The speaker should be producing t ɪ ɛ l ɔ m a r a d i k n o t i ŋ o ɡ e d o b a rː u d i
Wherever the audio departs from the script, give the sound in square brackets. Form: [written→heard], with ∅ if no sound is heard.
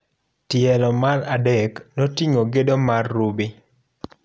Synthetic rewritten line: t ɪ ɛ l ɔ m a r a d [i→ɛ] k n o t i ŋ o ɡ e d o [b→m] a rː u [d→b] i